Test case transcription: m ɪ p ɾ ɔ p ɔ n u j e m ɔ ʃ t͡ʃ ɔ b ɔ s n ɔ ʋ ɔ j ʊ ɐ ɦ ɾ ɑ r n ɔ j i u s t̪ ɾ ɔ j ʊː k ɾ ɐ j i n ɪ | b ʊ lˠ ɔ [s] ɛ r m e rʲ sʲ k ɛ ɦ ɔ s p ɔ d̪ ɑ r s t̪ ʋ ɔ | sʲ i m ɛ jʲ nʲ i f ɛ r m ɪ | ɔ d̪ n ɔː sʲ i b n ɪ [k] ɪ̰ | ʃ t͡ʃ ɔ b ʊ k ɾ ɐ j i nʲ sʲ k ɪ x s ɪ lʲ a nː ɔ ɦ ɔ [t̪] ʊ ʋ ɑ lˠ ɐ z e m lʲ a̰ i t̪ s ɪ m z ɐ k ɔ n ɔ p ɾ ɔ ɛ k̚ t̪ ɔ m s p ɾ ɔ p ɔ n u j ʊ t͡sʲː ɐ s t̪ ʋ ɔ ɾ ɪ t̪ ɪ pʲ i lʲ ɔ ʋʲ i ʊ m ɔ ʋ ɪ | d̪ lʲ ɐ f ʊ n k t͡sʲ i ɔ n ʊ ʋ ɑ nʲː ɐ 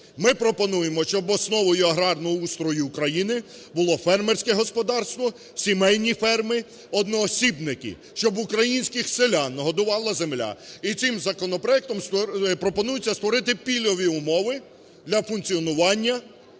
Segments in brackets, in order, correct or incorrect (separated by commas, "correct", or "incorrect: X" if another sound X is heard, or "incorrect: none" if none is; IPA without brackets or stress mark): incorrect: f, correct, incorrect: d̪